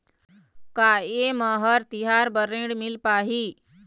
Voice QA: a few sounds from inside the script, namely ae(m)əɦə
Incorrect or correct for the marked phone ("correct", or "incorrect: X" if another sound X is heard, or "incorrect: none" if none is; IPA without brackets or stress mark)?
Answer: correct